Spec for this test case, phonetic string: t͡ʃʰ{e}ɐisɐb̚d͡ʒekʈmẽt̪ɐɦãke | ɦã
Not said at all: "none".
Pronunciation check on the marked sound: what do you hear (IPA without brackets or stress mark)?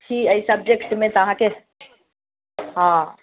i